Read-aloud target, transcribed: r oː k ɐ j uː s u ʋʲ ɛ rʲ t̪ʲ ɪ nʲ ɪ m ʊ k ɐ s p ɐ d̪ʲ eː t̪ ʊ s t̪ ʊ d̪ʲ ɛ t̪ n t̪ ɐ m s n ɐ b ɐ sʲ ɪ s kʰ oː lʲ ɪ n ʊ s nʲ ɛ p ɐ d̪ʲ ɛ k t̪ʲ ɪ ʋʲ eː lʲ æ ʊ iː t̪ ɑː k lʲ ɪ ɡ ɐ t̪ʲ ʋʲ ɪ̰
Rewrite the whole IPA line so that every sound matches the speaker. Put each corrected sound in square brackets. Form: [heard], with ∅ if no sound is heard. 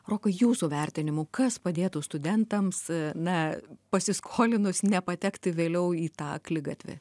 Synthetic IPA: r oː k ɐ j uː s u ʋʲ ɛ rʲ t̪ʲ ɪ nʲ ɪ m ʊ k ɐ s p ɐ d̪ʲ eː t̪ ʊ s t̪ ʊ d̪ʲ ɛ [∅] n t̪ ɐ m s n ɐ [p] ɐ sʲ ɪ s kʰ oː lʲ ɪ n ʊ s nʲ ɛ p ɐ [t̪ʲ] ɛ k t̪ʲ ɪ ʋʲ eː lʲ [ɛ] ʊ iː t̪ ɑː k lʲ ɪ ɡ ɐ t̪ʲ ʋʲ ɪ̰